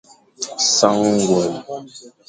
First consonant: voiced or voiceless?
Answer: voiceless